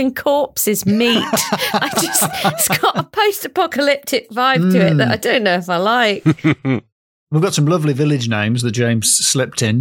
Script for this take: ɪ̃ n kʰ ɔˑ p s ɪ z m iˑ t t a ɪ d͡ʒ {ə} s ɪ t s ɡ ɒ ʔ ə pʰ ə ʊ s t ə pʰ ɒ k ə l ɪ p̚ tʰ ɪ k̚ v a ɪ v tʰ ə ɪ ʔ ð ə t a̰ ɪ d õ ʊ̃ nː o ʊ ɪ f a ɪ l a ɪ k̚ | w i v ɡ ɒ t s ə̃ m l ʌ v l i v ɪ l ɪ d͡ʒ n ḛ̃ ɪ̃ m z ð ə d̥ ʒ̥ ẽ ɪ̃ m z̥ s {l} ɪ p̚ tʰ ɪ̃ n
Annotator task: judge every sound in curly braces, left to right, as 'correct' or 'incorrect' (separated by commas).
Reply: incorrect, correct